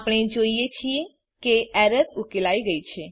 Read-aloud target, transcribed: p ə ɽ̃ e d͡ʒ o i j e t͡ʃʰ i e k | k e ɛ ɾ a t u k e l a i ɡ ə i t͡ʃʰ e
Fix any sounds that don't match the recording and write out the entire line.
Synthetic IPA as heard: p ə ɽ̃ e d͡ʒ o i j e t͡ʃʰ i e | k e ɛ ɾ ə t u k e l a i ɡ ə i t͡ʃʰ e